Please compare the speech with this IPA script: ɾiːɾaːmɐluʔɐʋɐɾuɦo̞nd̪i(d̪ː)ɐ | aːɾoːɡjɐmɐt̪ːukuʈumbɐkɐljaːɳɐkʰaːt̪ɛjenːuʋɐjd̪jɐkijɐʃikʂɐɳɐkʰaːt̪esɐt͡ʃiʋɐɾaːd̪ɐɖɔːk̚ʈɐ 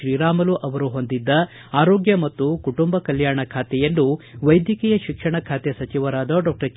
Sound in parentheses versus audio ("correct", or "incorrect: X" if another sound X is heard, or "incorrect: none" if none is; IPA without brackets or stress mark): correct